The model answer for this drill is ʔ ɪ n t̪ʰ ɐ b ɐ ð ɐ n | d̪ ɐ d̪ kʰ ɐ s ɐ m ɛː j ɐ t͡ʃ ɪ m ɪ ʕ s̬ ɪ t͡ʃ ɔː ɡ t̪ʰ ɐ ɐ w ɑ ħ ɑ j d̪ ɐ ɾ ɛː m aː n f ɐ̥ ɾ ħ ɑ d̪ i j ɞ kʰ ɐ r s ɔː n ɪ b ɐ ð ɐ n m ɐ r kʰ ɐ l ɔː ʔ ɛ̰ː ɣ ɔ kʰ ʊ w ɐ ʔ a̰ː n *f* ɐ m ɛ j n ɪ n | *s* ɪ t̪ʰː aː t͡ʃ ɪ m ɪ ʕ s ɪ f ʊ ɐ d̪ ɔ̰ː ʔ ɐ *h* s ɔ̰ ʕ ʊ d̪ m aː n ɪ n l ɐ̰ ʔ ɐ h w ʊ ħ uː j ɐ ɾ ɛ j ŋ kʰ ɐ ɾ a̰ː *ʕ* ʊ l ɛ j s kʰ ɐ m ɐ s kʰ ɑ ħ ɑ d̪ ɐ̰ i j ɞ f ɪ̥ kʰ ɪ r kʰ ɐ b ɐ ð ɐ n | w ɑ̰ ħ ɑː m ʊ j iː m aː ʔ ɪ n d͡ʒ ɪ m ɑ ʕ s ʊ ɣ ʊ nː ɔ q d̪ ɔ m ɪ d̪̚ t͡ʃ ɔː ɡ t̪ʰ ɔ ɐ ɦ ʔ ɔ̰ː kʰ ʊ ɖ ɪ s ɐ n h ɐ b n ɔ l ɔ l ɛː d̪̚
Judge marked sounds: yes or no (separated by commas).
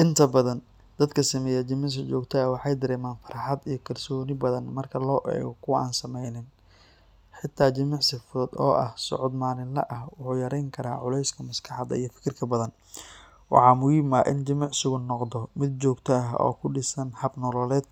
no, no, yes, yes